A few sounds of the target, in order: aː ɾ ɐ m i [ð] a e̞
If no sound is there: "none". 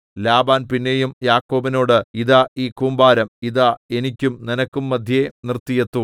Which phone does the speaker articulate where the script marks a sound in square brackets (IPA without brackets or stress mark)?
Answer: ð